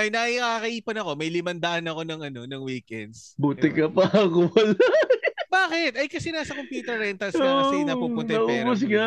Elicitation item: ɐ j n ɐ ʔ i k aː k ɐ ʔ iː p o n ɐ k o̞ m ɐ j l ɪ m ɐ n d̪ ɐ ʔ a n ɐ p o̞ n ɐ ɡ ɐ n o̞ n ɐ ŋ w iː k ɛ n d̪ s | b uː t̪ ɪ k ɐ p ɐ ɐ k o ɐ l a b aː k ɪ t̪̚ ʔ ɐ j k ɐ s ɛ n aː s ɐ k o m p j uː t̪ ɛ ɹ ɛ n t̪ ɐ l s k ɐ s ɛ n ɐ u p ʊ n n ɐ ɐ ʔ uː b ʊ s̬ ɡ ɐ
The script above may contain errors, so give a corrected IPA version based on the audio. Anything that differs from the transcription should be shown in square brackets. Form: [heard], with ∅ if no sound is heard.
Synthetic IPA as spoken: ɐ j n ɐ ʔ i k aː k ɐ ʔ iː p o n ɐ k o̞ m ɐ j l ɪ m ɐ n d̪ ɐ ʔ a n ɐ [k] o̞ n ɐ [ŋ] ɐ n o̞ n ɐ ŋ w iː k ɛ n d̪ s | b uː t̪ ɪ k ɐ p ɐ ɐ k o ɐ l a b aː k ɪ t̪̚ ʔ ɐ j k ɐ s ɛ n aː s ɐ k o m p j uː t̪ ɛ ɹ ɛ n t̪ ɐ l s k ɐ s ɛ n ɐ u p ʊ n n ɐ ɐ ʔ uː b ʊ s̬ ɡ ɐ